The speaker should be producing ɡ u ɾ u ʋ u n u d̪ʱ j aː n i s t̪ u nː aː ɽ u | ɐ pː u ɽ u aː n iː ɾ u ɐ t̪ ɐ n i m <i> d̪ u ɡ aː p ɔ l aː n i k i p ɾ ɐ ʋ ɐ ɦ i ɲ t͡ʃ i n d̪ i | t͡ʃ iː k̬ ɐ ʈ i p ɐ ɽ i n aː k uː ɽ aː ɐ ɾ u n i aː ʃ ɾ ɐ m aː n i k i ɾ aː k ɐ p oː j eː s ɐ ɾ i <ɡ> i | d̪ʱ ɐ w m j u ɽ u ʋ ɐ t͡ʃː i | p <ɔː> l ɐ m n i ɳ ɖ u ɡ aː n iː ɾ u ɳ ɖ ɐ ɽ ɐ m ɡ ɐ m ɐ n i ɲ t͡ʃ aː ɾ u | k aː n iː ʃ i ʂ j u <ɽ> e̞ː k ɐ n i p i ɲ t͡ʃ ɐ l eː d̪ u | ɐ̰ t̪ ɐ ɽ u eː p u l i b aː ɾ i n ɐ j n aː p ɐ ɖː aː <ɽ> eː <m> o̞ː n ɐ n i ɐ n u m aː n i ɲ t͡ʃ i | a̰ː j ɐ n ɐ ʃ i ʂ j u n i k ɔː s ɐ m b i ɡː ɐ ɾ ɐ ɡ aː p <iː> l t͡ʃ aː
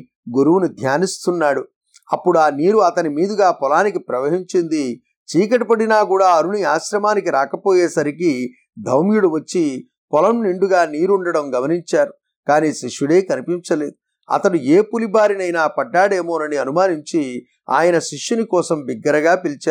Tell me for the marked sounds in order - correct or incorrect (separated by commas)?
incorrect, incorrect, incorrect, correct, correct, correct, incorrect